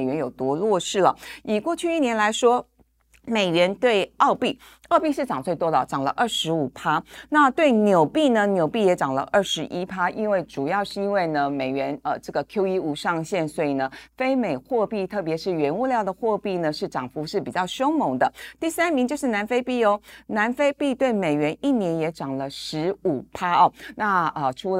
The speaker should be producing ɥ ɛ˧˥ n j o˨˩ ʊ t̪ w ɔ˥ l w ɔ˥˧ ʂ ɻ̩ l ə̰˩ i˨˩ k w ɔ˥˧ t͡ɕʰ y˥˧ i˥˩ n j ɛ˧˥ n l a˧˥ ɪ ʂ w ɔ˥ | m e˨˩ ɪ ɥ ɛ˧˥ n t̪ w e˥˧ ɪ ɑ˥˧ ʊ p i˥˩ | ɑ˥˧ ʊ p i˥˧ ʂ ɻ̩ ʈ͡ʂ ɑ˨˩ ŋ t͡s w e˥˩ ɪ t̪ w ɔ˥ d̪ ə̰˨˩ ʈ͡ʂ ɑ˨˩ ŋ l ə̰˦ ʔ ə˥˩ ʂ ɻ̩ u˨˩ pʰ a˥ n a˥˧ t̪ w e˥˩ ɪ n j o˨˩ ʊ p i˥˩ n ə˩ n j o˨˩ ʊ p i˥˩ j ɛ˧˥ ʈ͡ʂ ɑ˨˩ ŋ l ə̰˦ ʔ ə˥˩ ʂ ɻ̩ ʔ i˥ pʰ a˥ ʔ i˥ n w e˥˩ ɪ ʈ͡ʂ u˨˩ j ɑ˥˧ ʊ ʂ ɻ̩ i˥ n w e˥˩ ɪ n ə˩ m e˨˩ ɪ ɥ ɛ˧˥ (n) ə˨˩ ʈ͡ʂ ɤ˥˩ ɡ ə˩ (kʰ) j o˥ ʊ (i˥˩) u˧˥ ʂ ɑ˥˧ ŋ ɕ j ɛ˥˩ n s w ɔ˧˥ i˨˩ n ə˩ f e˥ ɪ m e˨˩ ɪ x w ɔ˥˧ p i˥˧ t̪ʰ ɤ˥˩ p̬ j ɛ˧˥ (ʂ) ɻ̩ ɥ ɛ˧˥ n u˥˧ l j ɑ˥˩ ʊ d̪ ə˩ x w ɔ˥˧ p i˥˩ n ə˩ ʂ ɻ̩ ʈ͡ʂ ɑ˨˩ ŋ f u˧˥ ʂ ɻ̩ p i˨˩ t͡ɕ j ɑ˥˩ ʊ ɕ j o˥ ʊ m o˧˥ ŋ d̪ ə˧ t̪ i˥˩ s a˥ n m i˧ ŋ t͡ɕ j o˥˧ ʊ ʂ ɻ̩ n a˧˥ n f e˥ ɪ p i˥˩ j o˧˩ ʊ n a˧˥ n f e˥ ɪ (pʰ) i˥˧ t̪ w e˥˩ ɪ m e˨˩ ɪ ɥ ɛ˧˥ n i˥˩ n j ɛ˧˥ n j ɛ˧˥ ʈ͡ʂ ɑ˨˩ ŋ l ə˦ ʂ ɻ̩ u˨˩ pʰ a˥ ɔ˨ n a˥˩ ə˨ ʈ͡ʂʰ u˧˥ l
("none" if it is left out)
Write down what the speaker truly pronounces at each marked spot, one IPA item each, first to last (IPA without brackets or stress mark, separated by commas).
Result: n, kʰ, i˥, ʂ, p